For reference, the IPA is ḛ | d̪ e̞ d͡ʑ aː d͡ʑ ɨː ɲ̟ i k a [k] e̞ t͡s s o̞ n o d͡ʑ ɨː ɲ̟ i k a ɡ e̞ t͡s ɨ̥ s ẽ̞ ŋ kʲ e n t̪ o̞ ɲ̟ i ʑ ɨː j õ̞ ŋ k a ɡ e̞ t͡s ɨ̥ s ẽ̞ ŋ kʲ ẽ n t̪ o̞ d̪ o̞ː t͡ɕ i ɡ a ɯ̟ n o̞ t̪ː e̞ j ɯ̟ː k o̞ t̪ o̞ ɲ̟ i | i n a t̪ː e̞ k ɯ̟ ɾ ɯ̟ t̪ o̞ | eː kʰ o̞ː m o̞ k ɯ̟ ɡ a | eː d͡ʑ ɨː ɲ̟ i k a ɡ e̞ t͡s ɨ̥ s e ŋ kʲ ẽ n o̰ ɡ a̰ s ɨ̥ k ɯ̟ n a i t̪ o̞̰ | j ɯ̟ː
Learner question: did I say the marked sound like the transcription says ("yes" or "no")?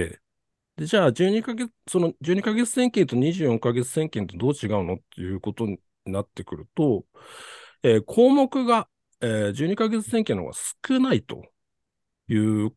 no